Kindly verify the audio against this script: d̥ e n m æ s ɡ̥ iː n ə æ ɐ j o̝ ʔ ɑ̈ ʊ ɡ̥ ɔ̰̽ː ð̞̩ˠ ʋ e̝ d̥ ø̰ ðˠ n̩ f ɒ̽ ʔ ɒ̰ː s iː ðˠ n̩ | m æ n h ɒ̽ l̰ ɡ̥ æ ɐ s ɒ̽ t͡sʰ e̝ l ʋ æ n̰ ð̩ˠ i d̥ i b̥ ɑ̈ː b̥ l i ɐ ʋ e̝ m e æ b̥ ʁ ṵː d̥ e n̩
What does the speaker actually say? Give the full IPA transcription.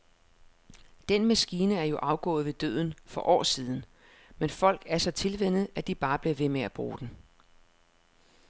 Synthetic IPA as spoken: d̥ e n m æ s ɡ̥ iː n ə æ ɐ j o̝ ʔ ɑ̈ ʊ ɡ̥ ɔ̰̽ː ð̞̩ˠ ʋ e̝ d̥ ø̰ ðˠ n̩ f ɒ̽ ʔ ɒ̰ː s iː ðˠ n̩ | m e n f ɒ̽ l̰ ɡ̥ æ ɐ s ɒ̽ t͡sʰ e̝ l ʋ e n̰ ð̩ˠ æ d̥ i b̥ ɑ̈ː b̥ l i ɐ ʋ e̝ m e æ b̥ ʁ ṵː d̥ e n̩